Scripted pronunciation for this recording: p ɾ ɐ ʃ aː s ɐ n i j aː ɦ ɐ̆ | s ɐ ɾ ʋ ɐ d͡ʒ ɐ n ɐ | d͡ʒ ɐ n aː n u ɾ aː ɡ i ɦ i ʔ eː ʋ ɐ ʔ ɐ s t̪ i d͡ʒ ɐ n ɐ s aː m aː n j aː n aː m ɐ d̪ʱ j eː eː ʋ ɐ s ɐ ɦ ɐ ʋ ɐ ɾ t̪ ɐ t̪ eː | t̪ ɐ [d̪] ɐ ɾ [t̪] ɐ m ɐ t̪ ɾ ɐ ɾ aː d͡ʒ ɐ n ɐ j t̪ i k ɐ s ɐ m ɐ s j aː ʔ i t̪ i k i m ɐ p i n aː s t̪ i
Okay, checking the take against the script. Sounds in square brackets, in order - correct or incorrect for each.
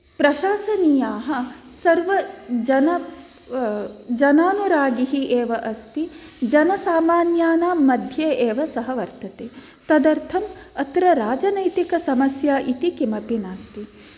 correct, incorrect: t̪ʰ

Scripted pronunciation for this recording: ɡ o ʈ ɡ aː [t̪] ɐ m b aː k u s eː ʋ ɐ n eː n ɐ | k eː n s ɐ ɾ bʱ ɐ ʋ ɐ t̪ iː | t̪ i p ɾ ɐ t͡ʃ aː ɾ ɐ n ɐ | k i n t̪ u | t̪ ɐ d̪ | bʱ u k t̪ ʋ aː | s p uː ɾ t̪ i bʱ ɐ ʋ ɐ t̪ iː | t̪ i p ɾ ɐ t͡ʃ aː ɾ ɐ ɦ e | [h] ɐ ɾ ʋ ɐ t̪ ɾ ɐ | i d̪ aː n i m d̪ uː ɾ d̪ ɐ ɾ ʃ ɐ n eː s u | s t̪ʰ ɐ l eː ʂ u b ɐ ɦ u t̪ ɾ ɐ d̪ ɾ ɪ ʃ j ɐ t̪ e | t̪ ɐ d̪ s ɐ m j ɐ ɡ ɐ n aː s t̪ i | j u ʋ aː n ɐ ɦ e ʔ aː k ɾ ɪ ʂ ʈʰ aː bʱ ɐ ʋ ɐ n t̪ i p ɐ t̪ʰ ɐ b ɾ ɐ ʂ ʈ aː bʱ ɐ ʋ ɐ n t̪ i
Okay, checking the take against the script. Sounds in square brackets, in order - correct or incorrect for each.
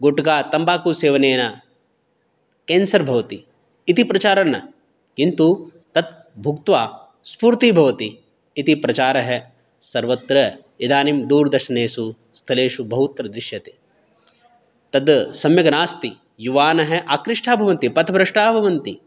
correct, incorrect: s

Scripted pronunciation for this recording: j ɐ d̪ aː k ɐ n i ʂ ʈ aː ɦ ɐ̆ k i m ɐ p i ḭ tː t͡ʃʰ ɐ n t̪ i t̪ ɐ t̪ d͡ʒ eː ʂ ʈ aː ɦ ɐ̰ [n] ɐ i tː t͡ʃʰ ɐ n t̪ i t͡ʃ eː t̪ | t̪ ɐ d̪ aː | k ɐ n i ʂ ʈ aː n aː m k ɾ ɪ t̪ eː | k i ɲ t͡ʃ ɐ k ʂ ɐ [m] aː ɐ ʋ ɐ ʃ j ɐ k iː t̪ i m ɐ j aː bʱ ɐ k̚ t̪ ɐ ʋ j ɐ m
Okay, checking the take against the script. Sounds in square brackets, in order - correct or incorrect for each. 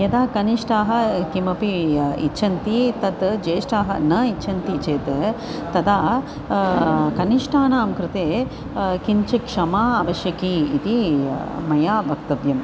correct, correct

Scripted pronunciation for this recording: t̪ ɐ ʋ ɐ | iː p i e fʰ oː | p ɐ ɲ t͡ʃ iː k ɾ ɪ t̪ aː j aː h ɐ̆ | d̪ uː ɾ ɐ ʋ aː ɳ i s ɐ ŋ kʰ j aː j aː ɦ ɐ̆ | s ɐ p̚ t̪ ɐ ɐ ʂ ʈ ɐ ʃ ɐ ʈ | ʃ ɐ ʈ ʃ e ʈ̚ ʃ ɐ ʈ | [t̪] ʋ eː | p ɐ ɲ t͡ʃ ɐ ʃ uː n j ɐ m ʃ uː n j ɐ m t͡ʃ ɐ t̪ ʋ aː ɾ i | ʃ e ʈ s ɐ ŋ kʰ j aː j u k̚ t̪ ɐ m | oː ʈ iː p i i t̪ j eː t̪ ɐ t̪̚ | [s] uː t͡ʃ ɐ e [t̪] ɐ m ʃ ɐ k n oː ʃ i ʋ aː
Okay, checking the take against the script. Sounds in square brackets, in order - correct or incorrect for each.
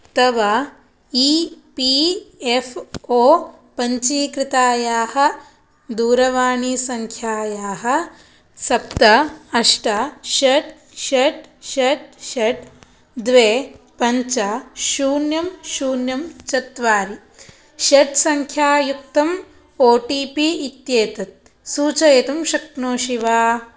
incorrect: d̪, correct, correct

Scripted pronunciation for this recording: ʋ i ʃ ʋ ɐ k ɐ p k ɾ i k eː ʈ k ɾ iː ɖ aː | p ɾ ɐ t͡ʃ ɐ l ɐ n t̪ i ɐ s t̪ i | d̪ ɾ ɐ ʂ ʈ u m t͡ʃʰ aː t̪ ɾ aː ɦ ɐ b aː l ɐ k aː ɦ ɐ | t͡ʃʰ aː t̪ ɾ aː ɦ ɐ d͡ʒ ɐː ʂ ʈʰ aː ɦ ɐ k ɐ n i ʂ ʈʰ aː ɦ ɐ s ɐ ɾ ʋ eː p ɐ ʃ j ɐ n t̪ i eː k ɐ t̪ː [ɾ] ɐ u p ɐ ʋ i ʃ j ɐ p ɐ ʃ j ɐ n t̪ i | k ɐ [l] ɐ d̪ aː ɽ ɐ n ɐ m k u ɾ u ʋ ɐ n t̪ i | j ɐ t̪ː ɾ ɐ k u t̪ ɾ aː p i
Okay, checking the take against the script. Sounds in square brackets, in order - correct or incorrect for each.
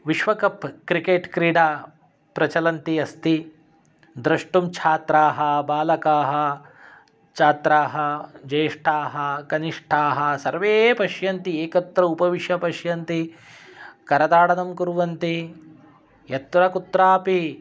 correct, incorrect: ɾ

